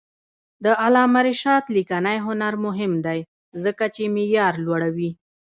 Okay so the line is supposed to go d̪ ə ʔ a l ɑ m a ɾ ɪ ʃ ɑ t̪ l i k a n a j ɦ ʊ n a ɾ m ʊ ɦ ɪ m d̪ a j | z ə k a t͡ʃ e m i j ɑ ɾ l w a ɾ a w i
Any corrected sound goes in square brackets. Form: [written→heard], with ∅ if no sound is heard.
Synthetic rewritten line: d̪ ə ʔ a l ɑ m a ɾ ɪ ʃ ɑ t̪ l i k a n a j ɦ ʊ n a ɾ m ʊ ɦ ɪ m d̪ a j | z ə k a t͡ʃ e m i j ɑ ɾ l w a [ɾ→ɽ] a w i